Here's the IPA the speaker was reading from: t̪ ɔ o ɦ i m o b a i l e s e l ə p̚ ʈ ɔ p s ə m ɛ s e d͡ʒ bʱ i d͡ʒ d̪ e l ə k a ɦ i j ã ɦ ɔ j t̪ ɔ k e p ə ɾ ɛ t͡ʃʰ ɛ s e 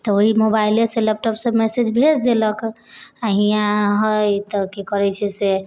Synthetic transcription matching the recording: t̪ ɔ o ɦ i m o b a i l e s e l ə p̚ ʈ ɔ p s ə m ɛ s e d͡ʒ bʱ e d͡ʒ d̪ e l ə k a ɦ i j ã ɦ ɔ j t̪ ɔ k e k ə ɾ ɛ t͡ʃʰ ɛ s e